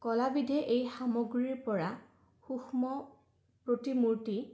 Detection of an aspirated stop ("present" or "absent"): absent